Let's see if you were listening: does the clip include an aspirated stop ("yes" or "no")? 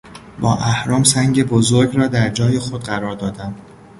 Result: no